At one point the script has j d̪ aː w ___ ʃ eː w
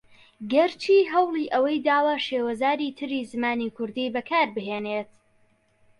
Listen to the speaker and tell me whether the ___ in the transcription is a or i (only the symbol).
a